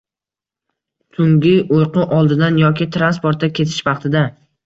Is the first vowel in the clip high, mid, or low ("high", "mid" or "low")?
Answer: high